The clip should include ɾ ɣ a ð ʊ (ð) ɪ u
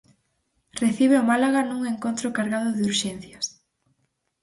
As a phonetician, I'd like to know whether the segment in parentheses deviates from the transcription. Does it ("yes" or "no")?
no